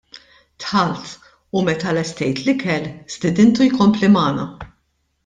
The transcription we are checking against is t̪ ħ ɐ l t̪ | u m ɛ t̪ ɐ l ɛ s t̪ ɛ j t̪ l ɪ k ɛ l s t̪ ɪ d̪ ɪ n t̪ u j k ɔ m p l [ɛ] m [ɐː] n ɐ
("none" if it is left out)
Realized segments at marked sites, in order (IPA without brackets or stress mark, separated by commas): i, ɐː